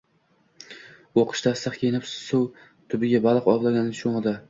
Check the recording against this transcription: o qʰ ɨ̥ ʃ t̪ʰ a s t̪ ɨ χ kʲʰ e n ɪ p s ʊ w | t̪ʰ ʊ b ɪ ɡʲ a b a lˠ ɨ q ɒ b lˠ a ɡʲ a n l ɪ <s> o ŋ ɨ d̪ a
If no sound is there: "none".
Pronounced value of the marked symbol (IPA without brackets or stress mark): ʃ